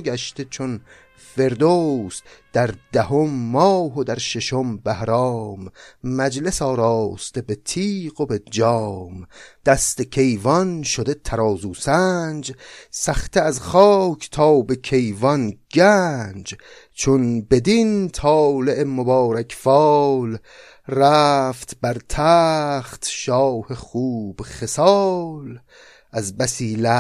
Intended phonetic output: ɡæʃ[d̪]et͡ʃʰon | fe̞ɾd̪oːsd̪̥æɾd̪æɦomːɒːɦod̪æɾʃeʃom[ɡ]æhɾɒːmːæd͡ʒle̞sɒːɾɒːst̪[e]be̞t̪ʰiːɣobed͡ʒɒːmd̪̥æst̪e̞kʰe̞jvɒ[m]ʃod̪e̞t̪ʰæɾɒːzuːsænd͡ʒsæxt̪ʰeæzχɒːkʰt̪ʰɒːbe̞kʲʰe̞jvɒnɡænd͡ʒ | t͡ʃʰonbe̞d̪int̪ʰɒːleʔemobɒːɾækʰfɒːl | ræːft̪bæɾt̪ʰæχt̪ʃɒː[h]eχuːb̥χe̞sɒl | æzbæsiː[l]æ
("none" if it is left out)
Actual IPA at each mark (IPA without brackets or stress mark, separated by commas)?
t̪, b, e, n, h, l